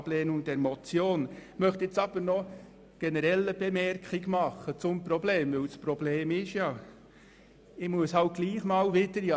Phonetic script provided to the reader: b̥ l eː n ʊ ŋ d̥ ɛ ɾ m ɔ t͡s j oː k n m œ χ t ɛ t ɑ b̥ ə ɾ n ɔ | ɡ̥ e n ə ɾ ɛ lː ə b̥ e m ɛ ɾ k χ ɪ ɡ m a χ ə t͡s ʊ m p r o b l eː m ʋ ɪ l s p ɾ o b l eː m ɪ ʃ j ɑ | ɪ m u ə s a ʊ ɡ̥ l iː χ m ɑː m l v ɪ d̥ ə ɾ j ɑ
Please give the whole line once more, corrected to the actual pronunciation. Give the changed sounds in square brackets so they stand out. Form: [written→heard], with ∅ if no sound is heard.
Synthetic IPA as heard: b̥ l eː n ʊ ŋ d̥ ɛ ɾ m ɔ t͡s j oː [k→∅] n m œ χ t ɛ [t→t͡s] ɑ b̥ ə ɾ n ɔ | ɡ̥ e n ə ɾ ɛ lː ə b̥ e m ɛ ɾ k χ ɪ ɡ m [a→ɑ] χ ə t͡s ʊ m p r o b l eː m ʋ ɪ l s p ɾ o b l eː m ɪ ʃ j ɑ | ɪ m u ə s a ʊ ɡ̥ l iː χ m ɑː [m→∅] l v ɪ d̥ ə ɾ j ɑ